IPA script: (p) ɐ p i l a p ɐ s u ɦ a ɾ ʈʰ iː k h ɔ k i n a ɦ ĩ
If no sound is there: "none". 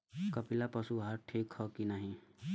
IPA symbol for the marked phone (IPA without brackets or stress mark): k